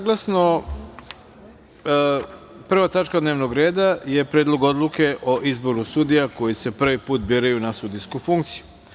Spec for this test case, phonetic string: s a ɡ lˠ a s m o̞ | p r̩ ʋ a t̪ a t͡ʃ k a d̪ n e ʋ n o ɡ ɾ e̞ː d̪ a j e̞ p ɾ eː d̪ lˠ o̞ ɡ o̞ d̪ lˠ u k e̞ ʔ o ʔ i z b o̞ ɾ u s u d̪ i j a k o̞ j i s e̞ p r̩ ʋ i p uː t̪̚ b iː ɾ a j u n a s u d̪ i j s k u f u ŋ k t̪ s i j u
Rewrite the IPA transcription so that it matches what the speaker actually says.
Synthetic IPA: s a ɡ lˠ a s n o̞ | p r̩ ʋ a t̪ a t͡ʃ k a d̪ n e ʋ n o ɡ ɾ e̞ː d̪ a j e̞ p ɾ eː d̪ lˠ o̞ ɡ o̞ d̪ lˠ u k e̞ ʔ o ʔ i z b o̞ ɾ u s u d̪ i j a k o̞ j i s e̞ p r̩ ʋ i p uː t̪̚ b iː ɾ a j u n a s u d̪ i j s k u f u ŋ k t̪ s i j u